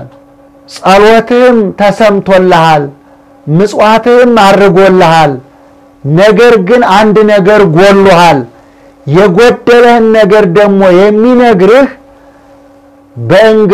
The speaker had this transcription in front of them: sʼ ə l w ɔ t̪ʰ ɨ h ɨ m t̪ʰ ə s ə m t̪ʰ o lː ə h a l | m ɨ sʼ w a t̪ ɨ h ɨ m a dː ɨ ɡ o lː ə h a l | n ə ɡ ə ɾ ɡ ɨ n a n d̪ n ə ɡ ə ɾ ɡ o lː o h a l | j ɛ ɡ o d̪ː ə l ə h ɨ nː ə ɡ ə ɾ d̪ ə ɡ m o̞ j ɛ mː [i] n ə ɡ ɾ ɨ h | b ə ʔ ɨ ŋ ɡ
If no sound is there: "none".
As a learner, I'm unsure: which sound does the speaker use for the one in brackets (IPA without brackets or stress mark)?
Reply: i